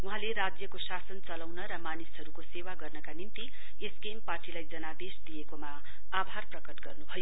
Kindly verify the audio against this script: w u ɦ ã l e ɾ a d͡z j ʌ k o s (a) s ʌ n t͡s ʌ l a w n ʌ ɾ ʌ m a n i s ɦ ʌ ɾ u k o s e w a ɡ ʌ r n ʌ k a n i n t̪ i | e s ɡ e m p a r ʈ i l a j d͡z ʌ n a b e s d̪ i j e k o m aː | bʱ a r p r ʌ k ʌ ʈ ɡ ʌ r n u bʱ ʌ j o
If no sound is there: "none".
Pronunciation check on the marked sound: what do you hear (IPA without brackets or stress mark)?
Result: a